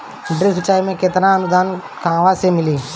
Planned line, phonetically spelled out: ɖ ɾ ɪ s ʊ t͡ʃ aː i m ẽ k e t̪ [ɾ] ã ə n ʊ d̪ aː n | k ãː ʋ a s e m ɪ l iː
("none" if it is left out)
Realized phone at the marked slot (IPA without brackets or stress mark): ɾ